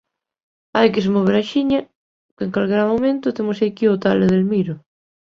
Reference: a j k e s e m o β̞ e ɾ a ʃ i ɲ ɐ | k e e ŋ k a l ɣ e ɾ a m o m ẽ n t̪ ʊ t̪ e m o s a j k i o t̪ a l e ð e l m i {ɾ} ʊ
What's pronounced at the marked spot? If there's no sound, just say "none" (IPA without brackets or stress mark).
ɾ